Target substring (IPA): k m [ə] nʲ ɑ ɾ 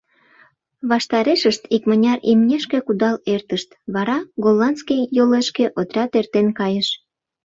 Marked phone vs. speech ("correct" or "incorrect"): correct